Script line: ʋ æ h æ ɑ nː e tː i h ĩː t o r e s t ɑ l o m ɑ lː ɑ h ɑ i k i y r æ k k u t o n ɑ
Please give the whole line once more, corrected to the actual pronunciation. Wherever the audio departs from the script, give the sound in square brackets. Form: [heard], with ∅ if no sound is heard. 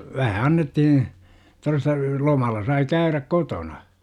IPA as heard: ʋ æ h æ ɑ nː e tː i h ĩː t o r e s t ɑ l o m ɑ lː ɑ [s] ɑ i k [æ] y r æ k k [o] t o n ɑ